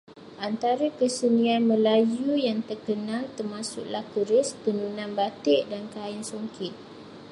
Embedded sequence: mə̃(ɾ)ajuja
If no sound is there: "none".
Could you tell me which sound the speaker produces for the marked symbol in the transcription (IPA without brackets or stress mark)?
l